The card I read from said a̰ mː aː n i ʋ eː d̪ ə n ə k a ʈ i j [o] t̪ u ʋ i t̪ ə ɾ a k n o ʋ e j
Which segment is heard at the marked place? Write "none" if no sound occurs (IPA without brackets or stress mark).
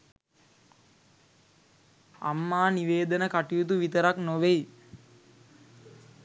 u